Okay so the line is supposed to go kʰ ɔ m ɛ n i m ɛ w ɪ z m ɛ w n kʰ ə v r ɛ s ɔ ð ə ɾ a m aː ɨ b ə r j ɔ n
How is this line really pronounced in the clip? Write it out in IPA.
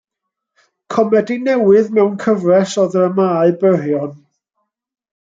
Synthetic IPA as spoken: kʰ ɔ m ɛ d i n ɛ w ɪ ð m ɛ w n kʰ ə v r ɛ s ɔ ð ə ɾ ə m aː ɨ b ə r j ɔ n